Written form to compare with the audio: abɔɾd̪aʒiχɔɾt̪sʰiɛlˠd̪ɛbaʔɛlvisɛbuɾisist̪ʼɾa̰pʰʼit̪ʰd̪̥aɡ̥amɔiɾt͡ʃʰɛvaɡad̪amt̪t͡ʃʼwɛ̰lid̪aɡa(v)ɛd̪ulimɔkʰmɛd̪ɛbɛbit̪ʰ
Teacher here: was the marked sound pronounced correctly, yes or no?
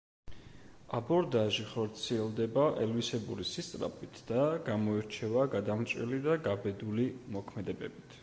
no